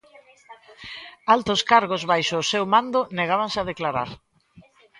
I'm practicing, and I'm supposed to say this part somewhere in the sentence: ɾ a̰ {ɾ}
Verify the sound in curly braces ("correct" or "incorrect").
correct